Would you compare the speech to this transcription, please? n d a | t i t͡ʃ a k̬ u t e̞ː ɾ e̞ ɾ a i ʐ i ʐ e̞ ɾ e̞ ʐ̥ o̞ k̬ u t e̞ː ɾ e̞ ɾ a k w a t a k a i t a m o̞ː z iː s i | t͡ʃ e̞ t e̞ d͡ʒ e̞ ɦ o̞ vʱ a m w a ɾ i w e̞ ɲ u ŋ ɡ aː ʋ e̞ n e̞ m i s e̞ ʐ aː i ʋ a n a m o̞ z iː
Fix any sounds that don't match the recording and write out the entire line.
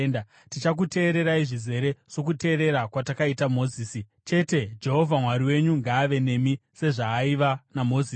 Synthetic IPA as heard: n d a | t i t͡ʃ a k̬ u t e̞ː ɾ e̞ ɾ a i ʐ i z e̞ ɾ e̞ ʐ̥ o̞ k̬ u t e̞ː ɾ e̞ ɾ a k w a t a k a i t a m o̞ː z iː s i | t͡ʃ e̞ t e̞ d͡ʒ e̞ ɦ o̞ vʱ a m w a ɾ i w e̞ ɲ u ŋ ɡ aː ʋ e̞ n e̞ m i s e̞ ʐ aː i ʋ a n a m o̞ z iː